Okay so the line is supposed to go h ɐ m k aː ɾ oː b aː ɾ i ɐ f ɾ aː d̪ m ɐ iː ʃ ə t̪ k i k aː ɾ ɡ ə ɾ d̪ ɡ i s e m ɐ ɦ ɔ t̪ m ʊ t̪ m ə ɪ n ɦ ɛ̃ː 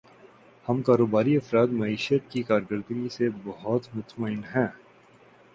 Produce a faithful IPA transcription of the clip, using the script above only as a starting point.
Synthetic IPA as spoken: h ɐ m k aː ɾ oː b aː ɾ i ɐ f ɾ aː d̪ m ɐ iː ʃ ə t̪ k i k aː ɾ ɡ ə ɾ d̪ ɡ i s e b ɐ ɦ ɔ t̪ m ʊ t̪ m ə ɪ n ɦ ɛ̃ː